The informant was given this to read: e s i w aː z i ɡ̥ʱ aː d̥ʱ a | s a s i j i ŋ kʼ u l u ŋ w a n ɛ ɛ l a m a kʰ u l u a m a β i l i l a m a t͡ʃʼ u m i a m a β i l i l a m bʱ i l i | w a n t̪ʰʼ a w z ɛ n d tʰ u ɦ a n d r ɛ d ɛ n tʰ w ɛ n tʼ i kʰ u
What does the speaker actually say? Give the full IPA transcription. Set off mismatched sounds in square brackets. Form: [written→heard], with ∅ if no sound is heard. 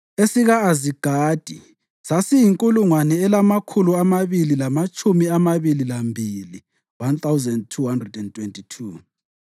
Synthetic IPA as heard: e s i [w→ɣ] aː z i ɡ̥ʱ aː d̥ʱ [a→i] | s a s i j i ŋ kʼ u l u ŋ w a n ɛ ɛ l a m a kʰ u l u a m a β i l i l a m a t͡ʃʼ u m i a m a β i l i l a m bʱ i l i | w a n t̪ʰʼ a w z ɛ n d tʰ u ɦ a n d r ɛ d ɛ n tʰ w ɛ n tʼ i [kʰ→tʰ] u